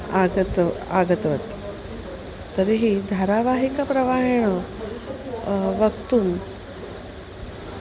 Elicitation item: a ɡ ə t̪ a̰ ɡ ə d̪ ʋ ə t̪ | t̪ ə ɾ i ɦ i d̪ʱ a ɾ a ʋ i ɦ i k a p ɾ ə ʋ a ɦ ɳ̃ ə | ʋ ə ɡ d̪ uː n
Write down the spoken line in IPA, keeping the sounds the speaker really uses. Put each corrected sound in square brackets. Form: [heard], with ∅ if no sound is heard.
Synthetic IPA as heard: a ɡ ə t̪ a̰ ɡ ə [t̪] ʋ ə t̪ | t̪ ə ɾ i ɦ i d̪ʱ a ɾ a ʋ [a] ɦ i k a p ɾ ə ʋ a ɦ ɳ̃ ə | ʋ ə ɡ [t̪] uː n